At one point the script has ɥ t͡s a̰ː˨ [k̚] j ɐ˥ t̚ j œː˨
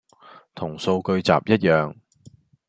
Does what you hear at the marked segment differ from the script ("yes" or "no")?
yes